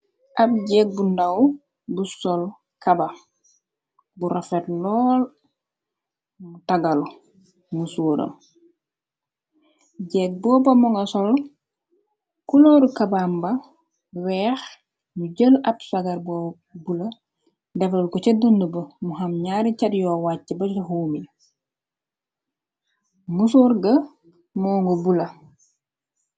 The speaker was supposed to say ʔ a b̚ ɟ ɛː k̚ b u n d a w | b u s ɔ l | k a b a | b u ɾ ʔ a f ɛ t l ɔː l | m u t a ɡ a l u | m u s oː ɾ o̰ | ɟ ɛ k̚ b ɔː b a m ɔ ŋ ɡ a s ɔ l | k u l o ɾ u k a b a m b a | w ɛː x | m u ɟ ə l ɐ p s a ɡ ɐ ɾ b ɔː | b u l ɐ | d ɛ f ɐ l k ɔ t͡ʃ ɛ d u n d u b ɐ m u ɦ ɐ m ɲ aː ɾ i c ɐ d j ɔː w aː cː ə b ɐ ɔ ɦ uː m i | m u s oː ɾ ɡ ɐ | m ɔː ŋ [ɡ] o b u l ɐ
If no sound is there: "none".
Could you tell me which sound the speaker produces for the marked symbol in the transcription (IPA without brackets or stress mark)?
ɡ